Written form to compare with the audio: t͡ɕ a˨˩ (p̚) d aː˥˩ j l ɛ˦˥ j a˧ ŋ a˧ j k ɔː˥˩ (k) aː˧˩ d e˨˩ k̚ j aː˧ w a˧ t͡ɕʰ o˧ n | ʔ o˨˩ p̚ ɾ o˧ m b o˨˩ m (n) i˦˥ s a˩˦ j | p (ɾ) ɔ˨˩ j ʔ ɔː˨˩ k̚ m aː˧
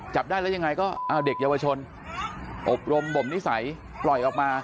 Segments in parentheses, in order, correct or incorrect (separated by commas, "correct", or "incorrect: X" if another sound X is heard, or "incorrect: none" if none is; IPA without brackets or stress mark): correct, incorrect: ʔ, correct, incorrect: l